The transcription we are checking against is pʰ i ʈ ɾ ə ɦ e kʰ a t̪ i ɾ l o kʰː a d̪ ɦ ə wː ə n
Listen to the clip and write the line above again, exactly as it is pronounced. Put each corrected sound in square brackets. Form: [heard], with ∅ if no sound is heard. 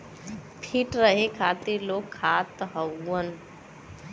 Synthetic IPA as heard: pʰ i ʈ ɾ ə ɦ e kʰ a t̪ i ɾ l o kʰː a [t̪] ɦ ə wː ə n